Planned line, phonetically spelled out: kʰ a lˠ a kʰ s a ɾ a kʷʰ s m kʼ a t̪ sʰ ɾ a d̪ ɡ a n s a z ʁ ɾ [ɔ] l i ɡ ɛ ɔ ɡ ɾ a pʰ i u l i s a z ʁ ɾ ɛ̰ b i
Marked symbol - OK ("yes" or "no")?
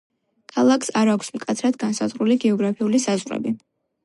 no